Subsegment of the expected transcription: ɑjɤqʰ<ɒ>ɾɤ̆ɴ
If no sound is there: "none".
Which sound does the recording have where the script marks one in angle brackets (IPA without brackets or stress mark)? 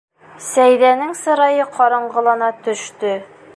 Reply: ɒ